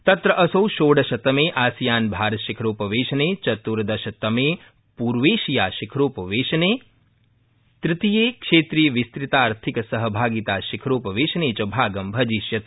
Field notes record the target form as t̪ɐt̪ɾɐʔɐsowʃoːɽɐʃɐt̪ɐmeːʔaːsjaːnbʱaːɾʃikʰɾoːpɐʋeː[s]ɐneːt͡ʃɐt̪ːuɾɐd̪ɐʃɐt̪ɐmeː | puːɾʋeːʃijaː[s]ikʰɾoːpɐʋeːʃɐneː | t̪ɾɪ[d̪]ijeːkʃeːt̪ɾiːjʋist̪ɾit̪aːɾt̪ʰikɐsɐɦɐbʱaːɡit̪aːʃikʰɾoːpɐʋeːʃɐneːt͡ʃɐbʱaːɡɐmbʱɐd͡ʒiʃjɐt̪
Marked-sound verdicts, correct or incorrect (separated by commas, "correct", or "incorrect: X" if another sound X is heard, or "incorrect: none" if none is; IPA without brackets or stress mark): incorrect: ʃ, incorrect: ʃ, incorrect: t̪